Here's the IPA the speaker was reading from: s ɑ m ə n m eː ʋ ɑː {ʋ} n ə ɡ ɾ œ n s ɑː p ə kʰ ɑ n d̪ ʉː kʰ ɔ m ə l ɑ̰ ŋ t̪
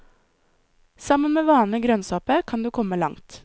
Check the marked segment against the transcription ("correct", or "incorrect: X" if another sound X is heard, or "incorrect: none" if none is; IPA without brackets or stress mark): incorrect: none